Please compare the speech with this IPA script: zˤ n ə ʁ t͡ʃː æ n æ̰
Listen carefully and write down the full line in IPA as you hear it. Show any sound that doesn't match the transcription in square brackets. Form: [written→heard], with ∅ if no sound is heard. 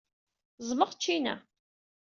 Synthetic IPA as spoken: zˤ [n→m] ə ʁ t͡ʃː [æ→i] n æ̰

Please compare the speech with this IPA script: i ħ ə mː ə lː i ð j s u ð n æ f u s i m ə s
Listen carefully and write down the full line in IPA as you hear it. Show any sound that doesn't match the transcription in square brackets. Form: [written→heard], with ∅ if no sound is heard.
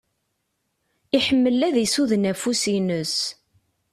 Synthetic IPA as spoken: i ħ ə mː ə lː [i→æ] ð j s u ð n æ f u s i [m→n] ə s

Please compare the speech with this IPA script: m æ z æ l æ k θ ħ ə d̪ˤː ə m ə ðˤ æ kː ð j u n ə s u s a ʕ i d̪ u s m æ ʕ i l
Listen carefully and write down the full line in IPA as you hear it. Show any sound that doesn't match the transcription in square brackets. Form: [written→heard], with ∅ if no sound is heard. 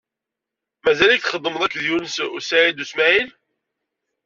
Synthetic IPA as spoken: m æ z æ l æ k θ [ħ→χ] ə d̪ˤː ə m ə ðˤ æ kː ð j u n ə s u s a ʕ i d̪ u s m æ ʕ i l

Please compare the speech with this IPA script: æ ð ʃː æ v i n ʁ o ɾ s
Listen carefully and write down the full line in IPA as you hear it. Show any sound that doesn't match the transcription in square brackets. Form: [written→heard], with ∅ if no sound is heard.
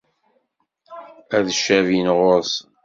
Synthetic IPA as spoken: æ ð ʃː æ v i n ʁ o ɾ s

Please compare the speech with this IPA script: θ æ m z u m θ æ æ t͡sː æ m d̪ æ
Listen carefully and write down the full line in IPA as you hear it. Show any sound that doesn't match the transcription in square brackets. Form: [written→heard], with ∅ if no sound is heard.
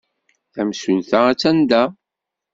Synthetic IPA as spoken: θ æ m [z→s] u [m→n] θ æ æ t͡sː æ [m→n] d̪ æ

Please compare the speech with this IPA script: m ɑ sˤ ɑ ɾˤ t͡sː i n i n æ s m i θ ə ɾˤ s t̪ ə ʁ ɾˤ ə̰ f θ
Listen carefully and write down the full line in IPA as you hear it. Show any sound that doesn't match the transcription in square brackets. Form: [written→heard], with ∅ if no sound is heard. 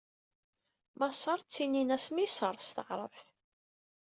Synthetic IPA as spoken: m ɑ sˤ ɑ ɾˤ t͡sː i n i n æ s m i [θ→s] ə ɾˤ s t̪ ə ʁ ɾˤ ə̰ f θ

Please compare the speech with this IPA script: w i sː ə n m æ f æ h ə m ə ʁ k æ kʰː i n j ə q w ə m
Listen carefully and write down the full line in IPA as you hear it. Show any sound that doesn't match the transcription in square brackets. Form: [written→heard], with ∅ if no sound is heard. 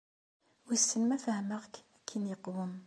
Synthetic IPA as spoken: w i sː ə n m æ f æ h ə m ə ʁ k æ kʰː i n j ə q w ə m

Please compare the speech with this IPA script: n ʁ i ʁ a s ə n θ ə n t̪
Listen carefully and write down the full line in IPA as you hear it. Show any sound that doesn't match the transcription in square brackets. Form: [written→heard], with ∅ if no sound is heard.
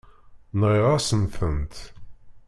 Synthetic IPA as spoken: n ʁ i ʁ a s ə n θ ə n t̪

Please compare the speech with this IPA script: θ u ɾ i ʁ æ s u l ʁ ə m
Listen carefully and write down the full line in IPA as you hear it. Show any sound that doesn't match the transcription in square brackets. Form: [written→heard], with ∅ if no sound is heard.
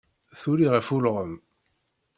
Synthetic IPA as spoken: θ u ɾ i ʁ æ [s→f] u l ʁ ə m

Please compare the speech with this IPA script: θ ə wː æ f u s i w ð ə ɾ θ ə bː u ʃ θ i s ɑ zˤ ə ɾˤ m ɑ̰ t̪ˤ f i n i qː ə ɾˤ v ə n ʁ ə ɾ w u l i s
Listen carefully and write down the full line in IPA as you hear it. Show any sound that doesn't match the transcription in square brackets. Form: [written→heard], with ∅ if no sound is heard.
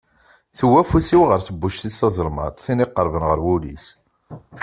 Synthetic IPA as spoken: θ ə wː æ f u s i w [ð→ʁ] ə ɾ θ ə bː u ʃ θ i s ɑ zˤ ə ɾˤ m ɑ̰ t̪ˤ [f→θ] i n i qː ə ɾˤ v ə n ʁ ə ɾ w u l i s

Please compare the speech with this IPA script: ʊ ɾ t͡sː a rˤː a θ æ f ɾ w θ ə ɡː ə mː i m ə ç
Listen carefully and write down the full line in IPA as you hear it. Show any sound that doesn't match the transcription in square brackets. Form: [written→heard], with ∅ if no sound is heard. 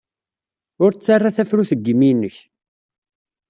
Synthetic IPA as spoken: ʊ ɾ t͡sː a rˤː a θ æ f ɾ [w→u] θ ə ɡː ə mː i [m→n] ə ç

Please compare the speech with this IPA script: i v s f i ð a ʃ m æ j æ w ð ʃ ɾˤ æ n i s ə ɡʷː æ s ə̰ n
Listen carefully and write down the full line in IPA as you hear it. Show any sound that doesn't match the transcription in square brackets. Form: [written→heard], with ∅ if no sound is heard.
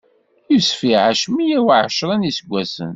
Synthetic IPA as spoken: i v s f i [ð→ʕ] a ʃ m [æ→i] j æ w [ð→ʕ] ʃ ɾˤ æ n i s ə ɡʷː æ s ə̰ n

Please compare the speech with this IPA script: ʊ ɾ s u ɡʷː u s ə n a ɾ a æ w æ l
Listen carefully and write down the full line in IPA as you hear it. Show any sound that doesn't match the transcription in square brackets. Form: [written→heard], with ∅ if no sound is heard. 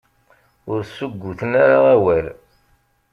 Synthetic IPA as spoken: ʊ ɾ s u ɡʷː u [s→θ] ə n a ɾ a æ w æ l

